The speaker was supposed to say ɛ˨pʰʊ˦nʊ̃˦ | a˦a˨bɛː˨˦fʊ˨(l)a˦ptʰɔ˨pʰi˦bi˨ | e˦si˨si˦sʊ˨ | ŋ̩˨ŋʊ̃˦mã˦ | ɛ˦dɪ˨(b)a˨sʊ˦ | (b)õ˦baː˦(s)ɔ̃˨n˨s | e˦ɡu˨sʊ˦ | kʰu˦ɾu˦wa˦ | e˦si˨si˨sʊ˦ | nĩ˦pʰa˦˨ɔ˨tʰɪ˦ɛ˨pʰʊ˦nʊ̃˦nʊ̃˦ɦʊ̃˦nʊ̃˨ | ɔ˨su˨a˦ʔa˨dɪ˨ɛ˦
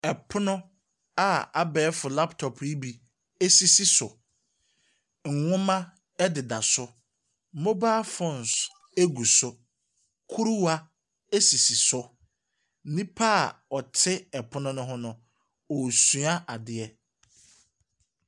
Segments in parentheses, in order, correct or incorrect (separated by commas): correct, incorrect, incorrect, incorrect